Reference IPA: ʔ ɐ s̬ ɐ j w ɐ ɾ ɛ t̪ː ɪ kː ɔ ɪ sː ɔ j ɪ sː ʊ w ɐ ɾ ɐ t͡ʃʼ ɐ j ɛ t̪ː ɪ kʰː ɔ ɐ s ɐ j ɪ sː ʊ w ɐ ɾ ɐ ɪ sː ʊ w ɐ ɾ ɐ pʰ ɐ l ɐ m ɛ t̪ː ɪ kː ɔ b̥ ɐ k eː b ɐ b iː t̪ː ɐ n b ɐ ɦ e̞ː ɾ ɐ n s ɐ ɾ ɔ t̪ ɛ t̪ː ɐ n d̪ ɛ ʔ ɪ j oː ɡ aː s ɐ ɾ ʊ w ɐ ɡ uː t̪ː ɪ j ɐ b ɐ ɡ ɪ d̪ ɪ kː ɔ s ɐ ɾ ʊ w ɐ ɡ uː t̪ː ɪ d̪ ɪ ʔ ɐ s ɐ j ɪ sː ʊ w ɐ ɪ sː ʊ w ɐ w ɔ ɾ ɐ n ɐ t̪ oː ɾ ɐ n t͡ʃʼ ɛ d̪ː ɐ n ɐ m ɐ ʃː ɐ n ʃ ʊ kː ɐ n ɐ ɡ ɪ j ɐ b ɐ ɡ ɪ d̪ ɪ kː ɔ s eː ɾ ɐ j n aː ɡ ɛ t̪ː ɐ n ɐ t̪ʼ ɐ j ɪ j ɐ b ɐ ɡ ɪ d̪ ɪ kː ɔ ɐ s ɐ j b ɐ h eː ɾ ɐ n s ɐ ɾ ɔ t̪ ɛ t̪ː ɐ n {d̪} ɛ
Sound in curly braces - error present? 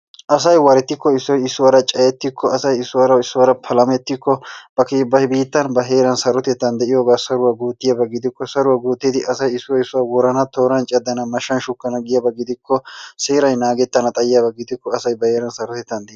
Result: no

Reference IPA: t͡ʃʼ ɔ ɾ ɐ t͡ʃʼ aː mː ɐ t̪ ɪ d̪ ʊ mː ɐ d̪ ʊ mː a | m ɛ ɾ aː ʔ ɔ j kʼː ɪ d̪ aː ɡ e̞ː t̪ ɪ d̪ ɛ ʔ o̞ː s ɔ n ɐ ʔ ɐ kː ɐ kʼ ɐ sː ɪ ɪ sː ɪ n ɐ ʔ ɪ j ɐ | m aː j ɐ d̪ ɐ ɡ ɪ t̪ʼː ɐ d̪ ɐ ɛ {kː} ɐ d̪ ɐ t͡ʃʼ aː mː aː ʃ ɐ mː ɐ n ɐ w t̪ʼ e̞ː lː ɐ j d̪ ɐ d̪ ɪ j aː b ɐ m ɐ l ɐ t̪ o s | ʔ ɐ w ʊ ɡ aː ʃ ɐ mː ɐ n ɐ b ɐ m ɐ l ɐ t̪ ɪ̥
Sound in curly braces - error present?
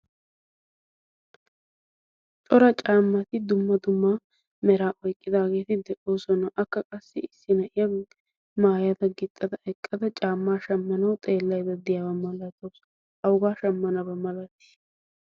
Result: yes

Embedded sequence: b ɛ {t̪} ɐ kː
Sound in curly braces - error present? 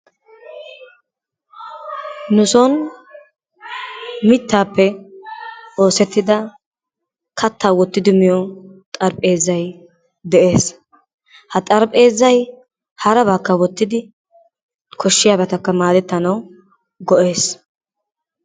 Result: no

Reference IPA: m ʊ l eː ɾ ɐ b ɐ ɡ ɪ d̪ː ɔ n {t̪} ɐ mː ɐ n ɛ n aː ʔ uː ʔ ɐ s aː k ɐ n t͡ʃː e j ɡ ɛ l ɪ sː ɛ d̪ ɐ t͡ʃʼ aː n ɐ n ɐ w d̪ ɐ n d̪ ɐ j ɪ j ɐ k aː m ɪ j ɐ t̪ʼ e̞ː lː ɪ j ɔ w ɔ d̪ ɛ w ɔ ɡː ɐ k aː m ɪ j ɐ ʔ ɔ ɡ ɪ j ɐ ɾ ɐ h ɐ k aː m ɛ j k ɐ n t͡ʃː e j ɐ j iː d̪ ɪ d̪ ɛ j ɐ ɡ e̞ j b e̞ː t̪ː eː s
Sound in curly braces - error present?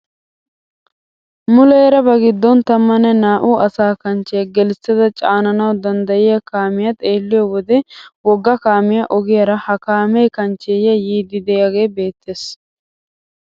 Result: no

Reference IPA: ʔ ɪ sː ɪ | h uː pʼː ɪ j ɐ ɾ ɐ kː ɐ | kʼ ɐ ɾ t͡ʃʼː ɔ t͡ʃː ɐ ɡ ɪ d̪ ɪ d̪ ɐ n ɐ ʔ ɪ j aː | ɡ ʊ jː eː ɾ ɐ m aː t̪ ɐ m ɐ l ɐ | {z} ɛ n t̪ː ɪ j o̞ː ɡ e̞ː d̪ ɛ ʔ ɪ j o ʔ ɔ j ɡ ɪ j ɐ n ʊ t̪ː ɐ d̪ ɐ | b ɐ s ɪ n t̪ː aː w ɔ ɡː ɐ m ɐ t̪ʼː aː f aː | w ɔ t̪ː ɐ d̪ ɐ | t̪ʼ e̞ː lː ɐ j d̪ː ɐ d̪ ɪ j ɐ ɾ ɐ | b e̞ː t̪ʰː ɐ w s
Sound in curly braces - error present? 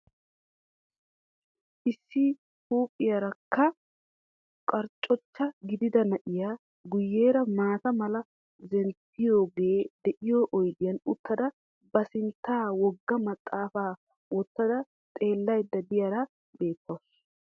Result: no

